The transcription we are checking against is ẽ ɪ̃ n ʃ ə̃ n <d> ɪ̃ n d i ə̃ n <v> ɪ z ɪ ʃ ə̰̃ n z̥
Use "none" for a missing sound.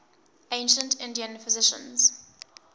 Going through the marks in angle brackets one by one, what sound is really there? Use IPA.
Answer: t, f

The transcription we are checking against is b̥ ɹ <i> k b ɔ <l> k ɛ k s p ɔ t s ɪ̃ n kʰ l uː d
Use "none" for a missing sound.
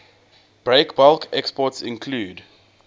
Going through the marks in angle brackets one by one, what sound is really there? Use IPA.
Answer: e, l

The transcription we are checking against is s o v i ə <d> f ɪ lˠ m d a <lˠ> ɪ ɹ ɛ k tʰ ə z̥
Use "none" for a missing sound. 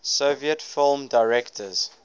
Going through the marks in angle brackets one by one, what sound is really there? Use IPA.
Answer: t, none

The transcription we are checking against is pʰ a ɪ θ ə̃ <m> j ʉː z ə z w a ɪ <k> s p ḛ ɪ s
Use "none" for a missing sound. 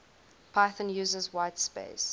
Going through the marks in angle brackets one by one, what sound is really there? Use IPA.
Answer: n, t

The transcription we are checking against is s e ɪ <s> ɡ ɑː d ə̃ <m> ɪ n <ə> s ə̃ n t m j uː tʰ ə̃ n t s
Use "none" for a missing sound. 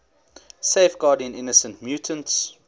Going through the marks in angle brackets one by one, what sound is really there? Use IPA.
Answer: f, n, ə

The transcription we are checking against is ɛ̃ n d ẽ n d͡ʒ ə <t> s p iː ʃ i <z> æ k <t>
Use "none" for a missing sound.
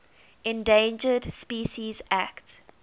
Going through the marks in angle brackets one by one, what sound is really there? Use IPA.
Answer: d, z, t

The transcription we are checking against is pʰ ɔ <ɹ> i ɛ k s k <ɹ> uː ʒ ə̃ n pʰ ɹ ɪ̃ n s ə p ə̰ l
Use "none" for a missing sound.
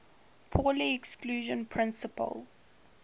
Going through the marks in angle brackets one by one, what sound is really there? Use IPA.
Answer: l, l

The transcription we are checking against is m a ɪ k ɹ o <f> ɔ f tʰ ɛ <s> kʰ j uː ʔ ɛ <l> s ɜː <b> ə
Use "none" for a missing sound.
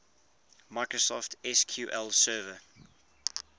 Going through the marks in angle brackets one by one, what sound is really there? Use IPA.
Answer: s, s, l, v

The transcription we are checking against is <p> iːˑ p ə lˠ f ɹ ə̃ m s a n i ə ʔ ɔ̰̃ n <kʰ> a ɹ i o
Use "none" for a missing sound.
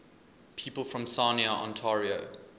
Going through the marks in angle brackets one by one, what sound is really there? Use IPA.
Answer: pʰ, tʰ

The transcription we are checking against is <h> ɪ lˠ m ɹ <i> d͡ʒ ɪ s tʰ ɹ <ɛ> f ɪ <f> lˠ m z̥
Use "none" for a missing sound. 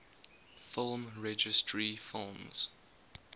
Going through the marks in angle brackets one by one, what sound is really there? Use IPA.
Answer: f, ɛ, i, none

